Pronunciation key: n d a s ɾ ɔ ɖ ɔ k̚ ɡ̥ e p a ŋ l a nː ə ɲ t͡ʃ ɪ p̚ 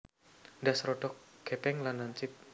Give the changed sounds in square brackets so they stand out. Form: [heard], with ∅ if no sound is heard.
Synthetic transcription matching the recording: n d a s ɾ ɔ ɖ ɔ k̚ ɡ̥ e p [ɛ] ŋ l a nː [a] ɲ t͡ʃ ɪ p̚